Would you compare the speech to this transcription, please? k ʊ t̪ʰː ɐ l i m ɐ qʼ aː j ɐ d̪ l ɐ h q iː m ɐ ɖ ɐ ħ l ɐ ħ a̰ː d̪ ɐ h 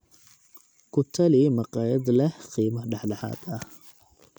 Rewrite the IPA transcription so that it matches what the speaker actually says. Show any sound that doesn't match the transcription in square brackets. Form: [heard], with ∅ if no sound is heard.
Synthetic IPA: k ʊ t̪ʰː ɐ l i m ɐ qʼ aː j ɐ d̪ l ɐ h q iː m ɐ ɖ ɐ ħ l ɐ ħ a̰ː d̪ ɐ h

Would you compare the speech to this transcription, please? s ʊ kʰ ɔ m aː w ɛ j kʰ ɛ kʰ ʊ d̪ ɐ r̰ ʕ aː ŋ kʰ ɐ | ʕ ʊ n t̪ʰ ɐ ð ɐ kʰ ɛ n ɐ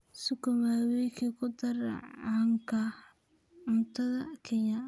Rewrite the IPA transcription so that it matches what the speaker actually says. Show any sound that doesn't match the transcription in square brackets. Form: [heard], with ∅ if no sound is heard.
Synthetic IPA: s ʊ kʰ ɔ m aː w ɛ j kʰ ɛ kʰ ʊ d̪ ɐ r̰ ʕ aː ŋ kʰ ɐ | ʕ ʊ n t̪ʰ ɐ ð ɐ kʰ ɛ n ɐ

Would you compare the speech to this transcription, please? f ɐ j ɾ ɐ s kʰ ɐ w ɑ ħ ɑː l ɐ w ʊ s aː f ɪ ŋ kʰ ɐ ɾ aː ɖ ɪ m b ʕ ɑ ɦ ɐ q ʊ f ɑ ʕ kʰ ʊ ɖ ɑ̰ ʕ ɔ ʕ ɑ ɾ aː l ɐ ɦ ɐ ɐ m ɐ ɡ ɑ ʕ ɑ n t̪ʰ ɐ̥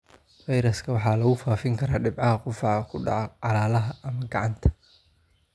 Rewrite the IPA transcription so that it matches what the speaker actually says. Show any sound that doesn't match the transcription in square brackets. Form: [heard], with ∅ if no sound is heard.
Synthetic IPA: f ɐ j ɾ ɐ s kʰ ɐ w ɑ ħ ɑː l ɐ [ɣ] ʊ [f] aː f ɪ ŋ kʰ ɐ ɾ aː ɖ ɪ [∅] b ʕ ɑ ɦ ɐ q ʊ f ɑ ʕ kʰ ʊ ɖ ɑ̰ ʕ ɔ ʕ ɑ [l] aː l ɐ ɦ ɐ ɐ m ɐ ɡ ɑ ʕ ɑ n t̪ʰ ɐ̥

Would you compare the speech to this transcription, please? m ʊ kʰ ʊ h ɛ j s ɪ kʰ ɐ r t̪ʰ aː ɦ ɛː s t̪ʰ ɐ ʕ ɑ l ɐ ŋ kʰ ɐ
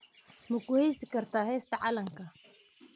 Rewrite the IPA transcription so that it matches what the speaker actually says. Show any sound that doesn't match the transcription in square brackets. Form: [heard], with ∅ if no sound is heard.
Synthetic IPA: m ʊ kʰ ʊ h ɛ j s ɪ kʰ ɐ r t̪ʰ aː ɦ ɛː s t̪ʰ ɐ ʕ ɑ l ɐ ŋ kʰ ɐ

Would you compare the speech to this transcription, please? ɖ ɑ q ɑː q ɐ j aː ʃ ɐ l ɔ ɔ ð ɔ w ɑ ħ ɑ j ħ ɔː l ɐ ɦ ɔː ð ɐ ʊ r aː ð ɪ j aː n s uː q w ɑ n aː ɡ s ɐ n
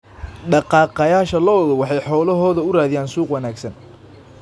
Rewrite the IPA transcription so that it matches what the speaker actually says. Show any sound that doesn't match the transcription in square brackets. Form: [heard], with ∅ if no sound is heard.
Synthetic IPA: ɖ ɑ q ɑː q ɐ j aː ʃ ɐ l ɔ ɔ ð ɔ w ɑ ħ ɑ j ħ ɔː l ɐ ɦ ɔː ð ɐ ʊ r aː ð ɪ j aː n s uː q w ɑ n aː ɡ s ɐ n

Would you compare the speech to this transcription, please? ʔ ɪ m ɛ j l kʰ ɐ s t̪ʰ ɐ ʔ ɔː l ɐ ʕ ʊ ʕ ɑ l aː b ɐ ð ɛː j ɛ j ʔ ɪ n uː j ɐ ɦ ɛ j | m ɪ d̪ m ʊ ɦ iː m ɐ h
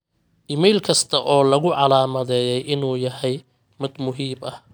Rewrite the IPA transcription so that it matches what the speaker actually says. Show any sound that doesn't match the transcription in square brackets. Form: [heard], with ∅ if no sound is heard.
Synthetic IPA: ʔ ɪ m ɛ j l kʰ ɐ s t̪ʰ ɐ ʔ ɔː l ɐ [ɣ] ʊ ʕ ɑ l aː [m] ɐ ð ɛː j ɛ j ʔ ɪ n uː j ɐ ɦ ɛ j | m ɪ d̪ m ʊ ɦ iː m ɐ h

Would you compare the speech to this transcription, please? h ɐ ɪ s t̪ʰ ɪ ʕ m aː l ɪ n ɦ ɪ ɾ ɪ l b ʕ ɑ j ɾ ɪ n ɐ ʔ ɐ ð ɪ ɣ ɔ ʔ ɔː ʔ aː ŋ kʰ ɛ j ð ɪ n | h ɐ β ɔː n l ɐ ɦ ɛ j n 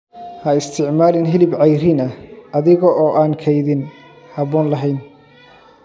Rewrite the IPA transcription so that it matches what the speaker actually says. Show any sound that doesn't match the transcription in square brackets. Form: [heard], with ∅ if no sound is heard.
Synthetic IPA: h ɐ ɪ s t̪ʰ ɪ ʕ m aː l ɪ n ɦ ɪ [l] ɪ [∅] b ʕ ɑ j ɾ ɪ n ɐ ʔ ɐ ð ɪ ɣ ɔ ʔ ɔː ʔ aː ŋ kʰ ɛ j ð ɪ n | h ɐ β ɔː n l ɐ ɦ ɛ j n

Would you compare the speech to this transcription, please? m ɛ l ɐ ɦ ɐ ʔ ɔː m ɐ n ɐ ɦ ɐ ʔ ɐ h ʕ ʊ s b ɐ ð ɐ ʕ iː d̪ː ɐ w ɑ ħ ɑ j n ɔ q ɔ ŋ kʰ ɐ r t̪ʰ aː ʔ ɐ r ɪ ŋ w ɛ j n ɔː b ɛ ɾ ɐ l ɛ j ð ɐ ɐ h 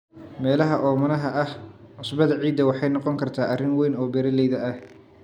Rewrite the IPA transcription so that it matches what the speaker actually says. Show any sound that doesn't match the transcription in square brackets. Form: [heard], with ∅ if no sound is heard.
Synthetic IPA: m [ɛː] l ɐ ɦ ɐ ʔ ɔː m ɐ n ɐ ɦ ɐ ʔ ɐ h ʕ ʊ s b ɐ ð ɐ ʕ iː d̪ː ɐ w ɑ ħ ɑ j n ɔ q ɔ ŋ kʰ ɐ r t̪ʰ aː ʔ ɐ r ɪ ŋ w ɛ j n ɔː b ɛ ɾ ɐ l ɛ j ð ɐ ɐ h

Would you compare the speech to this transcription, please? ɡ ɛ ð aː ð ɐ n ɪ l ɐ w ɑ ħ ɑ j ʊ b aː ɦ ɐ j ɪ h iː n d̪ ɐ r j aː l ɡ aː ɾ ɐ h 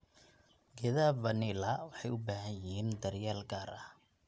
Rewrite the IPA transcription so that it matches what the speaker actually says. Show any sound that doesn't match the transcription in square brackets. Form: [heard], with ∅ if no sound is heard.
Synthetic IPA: ɡ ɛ ð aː [v] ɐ n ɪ l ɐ w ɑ ħ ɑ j ʊ b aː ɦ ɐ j ɪ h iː n d̪ ɐ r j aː l ɡ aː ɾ ɐ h

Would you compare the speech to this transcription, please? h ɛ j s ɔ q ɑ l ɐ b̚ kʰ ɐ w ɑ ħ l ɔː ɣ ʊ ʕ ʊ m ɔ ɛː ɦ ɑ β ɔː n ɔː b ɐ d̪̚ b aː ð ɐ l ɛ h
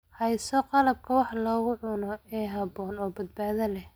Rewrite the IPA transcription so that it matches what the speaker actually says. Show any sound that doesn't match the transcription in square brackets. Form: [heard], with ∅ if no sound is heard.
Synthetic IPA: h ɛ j s ɔ q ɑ l ɐ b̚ kʰ ɐ w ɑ ħ l ɔː ɣ ʊ ʕ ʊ [n] ɔ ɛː ɦ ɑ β ɔː n ɔː b ɐ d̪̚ b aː ð ɐ l ɛ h

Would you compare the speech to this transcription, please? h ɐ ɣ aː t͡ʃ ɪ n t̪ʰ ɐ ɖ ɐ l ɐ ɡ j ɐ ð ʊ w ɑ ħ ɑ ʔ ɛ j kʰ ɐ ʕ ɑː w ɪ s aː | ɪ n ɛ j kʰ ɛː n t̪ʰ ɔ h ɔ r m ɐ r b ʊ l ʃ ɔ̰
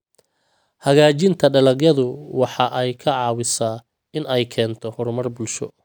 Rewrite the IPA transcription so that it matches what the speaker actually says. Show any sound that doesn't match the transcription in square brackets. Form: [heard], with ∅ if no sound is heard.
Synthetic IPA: h ɐ ɣ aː t͡ʃ ɪ n t̪ʰ ɐ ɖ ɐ l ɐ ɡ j ɐ ð ʊ w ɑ ħ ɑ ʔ ɛ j kʰ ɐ ʕ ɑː w ɪ s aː | ɪ n ɛ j kʰ ɛː n t̪ʰ ɔ h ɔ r m ɐ r b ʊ l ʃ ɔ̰

